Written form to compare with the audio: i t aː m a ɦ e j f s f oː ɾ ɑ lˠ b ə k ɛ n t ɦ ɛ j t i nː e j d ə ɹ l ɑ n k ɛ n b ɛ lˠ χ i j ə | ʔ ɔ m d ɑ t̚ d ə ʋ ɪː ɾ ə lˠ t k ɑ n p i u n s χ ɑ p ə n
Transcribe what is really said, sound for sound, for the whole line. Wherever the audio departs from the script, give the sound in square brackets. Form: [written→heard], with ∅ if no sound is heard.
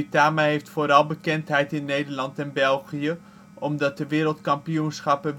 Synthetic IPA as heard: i t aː m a ɦ e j f [s→t] f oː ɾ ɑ lˠ b ə k ɛ n t ɦ ɛ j t [i→ɪ] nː e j d ə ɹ l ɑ n [k→t] ɛ n b ɛ lˠ χ i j ə | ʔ ɔ m d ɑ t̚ d ə ʋ ɪː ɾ ə lˠ t k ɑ [n→m] p i u n s χ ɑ p ə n